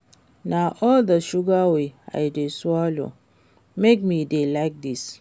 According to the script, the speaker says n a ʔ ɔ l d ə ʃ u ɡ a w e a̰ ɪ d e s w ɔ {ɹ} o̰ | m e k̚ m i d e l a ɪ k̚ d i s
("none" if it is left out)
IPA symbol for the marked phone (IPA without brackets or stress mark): l